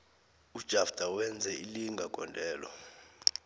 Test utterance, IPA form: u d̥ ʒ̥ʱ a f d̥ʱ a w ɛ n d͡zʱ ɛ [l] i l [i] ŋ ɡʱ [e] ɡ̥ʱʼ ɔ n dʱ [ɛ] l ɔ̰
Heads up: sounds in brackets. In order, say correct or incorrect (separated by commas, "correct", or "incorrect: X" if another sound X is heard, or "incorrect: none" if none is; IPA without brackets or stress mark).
incorrect: none, correct, incorrect: a, incorrect: ɛː